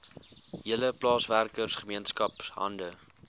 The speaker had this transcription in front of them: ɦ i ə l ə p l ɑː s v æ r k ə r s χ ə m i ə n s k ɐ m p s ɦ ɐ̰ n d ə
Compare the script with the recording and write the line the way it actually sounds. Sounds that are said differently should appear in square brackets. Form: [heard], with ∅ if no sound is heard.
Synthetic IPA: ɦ i ə l ə p l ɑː s v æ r k ə r s χ ə m i ə n s k ɐ [∅] p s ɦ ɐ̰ n d ə